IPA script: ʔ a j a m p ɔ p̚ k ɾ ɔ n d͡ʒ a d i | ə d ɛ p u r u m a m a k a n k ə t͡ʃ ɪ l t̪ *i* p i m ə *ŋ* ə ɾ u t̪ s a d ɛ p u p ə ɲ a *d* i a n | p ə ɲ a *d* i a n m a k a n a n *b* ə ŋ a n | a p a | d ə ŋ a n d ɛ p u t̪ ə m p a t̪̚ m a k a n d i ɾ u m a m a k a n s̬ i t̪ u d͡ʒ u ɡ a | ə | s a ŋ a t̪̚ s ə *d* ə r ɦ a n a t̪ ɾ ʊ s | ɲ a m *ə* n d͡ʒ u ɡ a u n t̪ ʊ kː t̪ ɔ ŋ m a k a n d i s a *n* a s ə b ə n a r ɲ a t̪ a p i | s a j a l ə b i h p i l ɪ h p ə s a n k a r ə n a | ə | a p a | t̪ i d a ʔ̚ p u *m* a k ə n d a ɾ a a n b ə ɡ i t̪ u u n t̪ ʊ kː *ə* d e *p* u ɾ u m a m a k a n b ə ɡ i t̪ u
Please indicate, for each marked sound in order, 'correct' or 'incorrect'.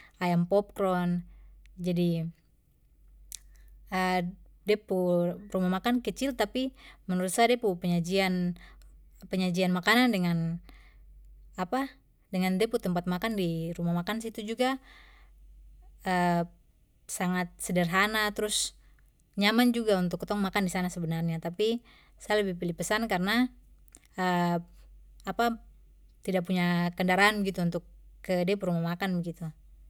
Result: incorrect: a, incorrect: n, incorrect: d͡ʒ, incorrect: d͡ʒ, incorrect: d, correct, incorrect: a, correct, incorrect: ɲ, correct, correct

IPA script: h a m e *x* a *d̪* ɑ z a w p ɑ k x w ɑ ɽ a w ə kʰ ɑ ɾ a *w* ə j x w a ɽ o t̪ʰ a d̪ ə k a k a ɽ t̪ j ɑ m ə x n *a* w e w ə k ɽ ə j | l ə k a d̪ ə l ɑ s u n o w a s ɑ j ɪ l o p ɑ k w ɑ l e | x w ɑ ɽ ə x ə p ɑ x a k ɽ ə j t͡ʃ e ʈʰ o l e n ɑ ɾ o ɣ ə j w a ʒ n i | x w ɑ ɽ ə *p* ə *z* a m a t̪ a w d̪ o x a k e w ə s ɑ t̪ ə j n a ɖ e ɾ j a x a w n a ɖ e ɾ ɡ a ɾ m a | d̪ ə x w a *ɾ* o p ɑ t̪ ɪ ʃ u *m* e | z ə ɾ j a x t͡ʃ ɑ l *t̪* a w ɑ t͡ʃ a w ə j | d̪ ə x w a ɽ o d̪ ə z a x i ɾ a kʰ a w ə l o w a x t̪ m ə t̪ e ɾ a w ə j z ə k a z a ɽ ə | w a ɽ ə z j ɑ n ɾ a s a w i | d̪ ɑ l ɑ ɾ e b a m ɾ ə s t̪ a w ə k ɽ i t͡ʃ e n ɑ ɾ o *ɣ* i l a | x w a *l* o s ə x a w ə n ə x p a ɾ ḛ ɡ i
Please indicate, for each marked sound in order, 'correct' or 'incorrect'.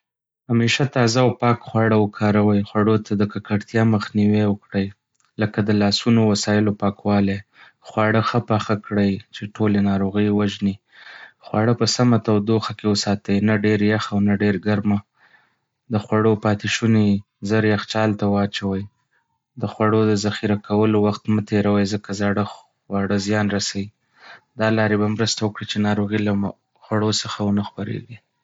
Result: incorrect: ʃ, incorrect: t̪, correct, incorrect: i, correct, incorrect: s, incorrect: ɽ, incorrect: n, correct, correct, incorrect: ɽ

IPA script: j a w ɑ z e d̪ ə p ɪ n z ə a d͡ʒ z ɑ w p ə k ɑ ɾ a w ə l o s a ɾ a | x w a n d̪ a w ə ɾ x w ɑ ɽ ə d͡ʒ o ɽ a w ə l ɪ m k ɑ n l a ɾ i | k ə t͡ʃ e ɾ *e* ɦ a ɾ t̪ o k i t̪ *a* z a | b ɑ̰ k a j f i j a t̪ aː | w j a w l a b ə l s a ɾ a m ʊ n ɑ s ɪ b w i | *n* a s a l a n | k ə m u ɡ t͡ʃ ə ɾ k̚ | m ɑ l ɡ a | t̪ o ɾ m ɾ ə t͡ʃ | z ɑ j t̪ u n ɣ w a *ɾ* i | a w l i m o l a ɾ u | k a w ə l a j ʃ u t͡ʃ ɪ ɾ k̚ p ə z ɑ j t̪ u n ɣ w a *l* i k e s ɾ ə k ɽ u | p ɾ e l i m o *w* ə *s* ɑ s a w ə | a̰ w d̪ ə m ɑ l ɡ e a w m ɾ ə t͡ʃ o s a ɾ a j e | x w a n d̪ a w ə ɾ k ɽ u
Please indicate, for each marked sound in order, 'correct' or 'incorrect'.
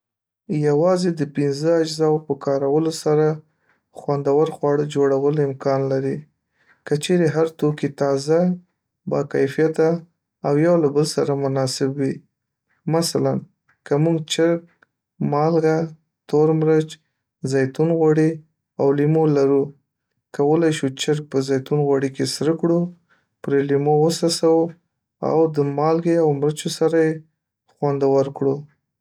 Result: correct, incorrect: ɑ, incorrect: m, incorrect: ɽ, incorrect: ɽ, correct, correct

